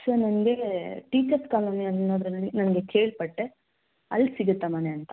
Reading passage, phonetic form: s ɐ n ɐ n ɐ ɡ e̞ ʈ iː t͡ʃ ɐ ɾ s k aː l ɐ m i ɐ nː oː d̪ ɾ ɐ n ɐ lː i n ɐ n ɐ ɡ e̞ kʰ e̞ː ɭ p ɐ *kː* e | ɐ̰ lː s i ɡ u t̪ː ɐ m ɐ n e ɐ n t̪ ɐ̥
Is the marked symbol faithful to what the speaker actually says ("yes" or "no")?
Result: no